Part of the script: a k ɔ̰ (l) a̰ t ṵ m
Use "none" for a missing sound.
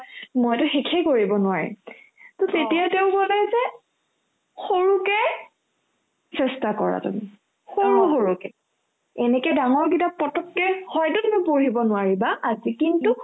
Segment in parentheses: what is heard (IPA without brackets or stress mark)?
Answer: ɹ